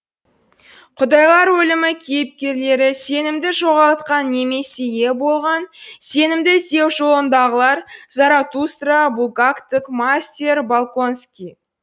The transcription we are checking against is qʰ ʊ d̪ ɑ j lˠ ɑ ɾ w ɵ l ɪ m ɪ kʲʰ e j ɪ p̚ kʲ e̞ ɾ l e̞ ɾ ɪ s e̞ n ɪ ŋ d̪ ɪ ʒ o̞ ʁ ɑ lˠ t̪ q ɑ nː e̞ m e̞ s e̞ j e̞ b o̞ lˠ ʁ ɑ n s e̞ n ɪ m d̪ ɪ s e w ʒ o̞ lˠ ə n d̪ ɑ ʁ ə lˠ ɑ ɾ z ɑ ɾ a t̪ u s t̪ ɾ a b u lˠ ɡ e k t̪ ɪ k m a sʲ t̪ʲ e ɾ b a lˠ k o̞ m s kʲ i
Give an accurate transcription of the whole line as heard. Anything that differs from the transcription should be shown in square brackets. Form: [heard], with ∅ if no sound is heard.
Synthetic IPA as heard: qʰ ʊ d̪ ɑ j lˠ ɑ ɾ w ɵ l ɪ m ɪ kʲʰ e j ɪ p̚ kʲ e̞ ɾ l e̞ ɾ ɪ s e̞ n ɪ [m] d̪ ɪ ʒ o̞ ʁ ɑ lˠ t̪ q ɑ nː e̞ m e̞ s e̞ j e̞ b o̞ lˠ ʁ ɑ n s e̞ n ɪ m d̪ ɪ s e w ʒ o̞ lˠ ə n d̪ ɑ ʁ ə lˠ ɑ ɾ z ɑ ɾ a t̪ u s t̪ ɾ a b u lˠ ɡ [a] k t̪ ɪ k m a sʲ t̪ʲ e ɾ b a lˠ k o̞ [n] s kʲ i